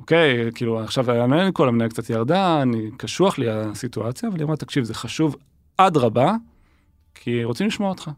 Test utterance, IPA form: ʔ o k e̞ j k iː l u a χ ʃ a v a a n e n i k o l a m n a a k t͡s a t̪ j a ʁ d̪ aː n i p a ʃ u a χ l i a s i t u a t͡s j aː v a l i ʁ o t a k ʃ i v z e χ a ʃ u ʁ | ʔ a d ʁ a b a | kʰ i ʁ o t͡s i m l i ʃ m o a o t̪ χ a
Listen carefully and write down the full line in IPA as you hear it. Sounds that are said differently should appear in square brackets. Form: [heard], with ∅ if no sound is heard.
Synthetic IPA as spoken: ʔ o k e̞ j k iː l u a χ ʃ a v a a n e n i k o l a m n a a k t͡s a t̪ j a ʁ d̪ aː n i [k] a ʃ u a χ l i a s i t u a t͡s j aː v a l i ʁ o t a k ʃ i v z e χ a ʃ u [v] | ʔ a d ʁ a b a | kʰ i ʁ o t͡s i m l i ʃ m o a o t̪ χ a